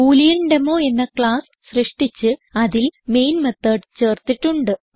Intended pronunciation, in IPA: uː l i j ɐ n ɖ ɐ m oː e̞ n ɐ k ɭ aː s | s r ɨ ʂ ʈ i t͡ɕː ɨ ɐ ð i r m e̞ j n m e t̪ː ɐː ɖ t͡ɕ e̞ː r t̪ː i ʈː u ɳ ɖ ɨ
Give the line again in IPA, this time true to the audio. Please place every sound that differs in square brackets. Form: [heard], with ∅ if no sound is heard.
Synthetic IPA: uː l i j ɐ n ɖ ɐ m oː e̞ [nː] ɐ k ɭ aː s | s r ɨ ʂ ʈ i t͡ɕː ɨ ɐ ð i [l] m e̞ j n m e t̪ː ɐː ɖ t͡ɕ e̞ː r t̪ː i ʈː u ɳ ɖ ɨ